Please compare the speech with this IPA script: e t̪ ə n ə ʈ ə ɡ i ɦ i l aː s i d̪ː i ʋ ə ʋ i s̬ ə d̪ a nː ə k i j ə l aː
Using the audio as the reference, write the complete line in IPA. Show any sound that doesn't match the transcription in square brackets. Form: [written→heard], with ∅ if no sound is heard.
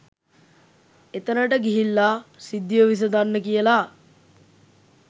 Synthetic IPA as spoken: e t̪ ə n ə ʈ ə ɡ i ɦ i [l→lː] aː s i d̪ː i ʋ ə ʋ i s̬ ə d̪ a nː ə k i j ə l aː